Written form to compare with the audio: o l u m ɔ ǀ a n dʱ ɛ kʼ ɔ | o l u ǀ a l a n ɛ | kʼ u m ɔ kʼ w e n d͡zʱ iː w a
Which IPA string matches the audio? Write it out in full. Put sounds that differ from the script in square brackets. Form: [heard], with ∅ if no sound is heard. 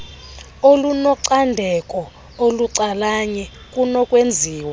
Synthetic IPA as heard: o l u [n] ɔ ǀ a n dʱ ɛ kʼ ɔ | o l u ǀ a l a [ɲ] ɛ | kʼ u [n] ɔ kʼ w e n d͡zʱ iː w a